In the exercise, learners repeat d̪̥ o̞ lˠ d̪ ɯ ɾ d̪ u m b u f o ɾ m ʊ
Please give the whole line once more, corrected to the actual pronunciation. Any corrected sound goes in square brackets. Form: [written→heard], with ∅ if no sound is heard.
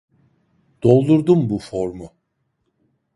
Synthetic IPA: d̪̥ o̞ lˠ d̪ [ɯ→u] ɾ d̪ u m b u f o ɾ m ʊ